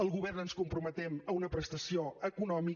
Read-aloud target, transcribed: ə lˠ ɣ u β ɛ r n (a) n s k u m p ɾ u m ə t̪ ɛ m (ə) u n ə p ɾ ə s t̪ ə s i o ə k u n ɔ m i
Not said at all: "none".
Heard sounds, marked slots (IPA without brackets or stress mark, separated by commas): ə, ə